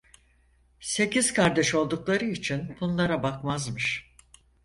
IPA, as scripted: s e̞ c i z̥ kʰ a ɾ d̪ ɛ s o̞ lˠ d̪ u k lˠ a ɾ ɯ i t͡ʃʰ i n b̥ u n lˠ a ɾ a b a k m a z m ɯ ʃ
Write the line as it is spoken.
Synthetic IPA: s e̞ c i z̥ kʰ a ɾ d̪ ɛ ʃ o̞ lˠ d̪ u k lˠ a ɾ ɯ i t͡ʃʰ i n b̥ u n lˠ a ɾ a b a k m a z m ɯ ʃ